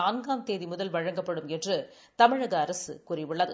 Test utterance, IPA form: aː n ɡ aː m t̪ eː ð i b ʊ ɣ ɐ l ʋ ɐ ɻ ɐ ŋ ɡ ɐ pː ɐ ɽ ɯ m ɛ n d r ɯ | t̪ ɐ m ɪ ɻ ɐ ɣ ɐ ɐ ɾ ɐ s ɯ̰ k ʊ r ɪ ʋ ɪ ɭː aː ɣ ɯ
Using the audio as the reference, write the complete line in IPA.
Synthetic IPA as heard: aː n ɡ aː m t̪ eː ð i m ʊ ð ɐ l ʋ ɐ ɻ ɐ ŋ ɡ ɐ pː ɐ ɽ ɯ m ɛ n d r ɯ | t̪ ɐ m ɪ ɻ ɐ ɣ ɐ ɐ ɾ ɐ s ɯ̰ k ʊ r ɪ ʋ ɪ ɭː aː ð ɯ